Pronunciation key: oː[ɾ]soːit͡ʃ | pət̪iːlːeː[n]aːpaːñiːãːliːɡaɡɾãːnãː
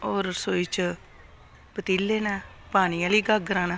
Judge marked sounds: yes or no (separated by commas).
yes, yes